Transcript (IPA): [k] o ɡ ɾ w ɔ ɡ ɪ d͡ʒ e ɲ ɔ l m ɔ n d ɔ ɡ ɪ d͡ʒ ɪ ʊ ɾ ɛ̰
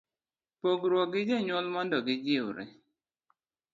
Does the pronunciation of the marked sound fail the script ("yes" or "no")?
yes